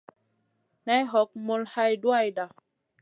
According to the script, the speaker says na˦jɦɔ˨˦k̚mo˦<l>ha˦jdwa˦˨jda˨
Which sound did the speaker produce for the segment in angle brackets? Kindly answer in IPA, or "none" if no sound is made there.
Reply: l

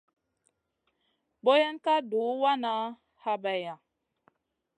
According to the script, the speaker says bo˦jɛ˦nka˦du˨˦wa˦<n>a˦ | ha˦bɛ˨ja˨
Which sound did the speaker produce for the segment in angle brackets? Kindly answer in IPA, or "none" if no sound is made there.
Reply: n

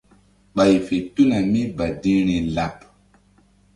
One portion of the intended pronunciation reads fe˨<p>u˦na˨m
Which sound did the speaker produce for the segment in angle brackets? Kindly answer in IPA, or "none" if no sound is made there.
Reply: t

